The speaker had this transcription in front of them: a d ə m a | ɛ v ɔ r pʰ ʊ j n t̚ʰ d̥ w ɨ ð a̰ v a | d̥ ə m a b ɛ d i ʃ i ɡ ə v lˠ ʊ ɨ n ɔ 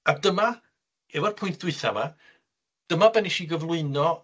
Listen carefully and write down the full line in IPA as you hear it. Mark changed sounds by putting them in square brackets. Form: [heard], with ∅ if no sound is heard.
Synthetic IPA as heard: a d ə m a | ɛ v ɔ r pʰ ʊ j n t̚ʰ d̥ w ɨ [θ] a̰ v a | d̥ ə m a b ɛ [n] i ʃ i ɡ ə v lˠ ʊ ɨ n ɔ